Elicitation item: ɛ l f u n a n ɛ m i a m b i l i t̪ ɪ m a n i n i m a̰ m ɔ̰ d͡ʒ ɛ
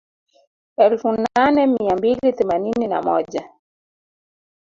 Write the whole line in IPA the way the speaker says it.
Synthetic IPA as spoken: ɛ l f u n a n ɛ m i a m b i l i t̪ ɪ m a n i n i n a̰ m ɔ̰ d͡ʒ a